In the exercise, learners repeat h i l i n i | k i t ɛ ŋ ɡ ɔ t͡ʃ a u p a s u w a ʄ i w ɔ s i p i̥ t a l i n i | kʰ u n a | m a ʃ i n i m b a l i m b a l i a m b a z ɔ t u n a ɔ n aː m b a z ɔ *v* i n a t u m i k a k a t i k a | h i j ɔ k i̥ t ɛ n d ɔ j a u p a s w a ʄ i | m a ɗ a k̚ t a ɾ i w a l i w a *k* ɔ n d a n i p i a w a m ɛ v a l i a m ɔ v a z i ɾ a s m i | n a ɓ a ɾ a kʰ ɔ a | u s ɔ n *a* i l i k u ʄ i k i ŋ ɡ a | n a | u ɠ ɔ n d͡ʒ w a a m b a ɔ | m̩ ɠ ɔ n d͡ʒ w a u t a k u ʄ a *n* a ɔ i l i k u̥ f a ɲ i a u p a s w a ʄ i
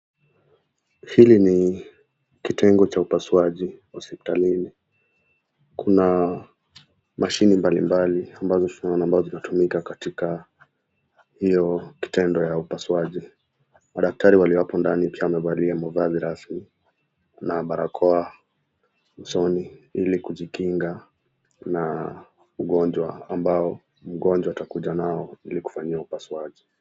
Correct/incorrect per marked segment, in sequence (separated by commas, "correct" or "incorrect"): incorrect, incorrect, incorrect, correct